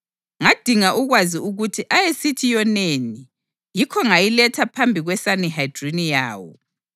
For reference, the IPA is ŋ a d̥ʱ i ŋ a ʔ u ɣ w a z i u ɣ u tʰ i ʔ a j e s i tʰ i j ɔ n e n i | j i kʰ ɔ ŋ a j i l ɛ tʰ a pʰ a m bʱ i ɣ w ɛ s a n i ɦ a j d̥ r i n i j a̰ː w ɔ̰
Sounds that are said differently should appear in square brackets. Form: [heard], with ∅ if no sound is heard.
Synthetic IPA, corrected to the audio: ŋ a d̥ʱ i ŋ a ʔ u ɣ w a z i u ɣ u tʰ i ʔ a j e s i tʰ i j ɔ n e n i | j i kʰ ɔ ŋ a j i l ɛ tʰ a pʰ a m bʱ i ɣ w ɛ s a n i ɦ a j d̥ r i n i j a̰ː w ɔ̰